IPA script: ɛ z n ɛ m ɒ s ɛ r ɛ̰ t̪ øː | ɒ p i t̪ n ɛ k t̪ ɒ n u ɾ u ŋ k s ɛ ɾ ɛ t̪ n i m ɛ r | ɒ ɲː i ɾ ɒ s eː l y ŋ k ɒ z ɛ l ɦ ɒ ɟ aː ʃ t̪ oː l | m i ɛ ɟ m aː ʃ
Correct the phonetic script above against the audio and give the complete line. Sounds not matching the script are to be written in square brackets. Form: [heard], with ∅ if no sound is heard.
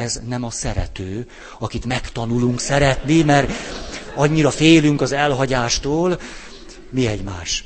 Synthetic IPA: ɛ z n ɛ m ɒ s ɛ [ɾ] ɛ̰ t̪ øː | ɒ [k] i t̪ [m] ɛ k t̪ ɒ n u [l] u ŋ k s ɛ ɾ ɛ t̪ n i m ɛ r | ɒ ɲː i ɾ ɒ [f] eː l y ŋ k ɒ z ɛ l ɦ ɒ ɟ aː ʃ t̪ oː l | m i ɛ ɟ m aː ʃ